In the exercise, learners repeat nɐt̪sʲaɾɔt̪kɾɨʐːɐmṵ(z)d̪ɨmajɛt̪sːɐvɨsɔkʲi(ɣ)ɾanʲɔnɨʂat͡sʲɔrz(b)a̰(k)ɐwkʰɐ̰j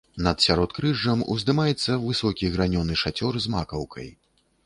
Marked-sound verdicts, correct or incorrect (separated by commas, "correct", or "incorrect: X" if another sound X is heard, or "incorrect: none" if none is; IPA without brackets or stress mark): correct, correct, incorrect: m, correct